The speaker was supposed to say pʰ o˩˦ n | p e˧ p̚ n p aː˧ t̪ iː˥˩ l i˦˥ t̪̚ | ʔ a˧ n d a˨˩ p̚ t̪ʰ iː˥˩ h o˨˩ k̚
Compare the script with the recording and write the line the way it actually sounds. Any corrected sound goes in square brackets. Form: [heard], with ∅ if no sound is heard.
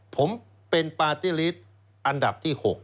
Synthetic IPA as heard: pʰ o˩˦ [m] | p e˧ [∅] n p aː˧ t̪ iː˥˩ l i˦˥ t̪̚ | ʔ a˧ n d a˨˩ p̚ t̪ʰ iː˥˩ h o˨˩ k̚